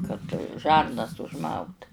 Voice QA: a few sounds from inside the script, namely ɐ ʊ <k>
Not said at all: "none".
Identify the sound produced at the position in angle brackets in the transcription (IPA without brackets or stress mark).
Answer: t